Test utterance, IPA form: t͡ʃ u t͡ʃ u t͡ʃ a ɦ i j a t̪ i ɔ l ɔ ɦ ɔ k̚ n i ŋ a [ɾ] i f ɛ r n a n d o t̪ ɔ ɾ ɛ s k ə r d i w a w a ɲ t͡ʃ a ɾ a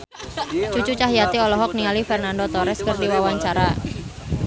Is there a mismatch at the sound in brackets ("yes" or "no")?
yes